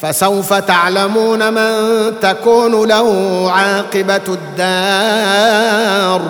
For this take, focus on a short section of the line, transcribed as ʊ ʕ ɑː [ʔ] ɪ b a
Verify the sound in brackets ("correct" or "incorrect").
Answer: incorrect